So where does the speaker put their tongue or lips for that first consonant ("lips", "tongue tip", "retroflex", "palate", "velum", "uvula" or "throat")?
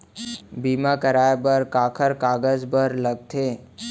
lips